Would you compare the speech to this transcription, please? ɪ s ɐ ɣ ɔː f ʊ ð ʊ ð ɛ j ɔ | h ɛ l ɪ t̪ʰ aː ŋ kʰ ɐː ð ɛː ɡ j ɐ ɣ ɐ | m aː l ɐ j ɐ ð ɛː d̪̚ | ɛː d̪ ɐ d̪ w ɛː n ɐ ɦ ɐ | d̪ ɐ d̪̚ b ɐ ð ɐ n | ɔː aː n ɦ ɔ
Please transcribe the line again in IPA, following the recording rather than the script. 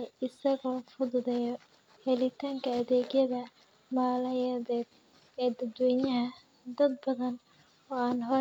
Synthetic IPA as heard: ɪ s ɐ ɣ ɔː f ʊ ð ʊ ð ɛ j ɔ | h ɛ l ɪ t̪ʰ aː ŋ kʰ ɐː ð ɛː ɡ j ɐ ð ɐ | m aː l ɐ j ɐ ð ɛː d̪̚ | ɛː d̪ ɐ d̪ w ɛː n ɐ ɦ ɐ | d̪ ɐ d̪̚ b ɐ ð ɐ n | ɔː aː n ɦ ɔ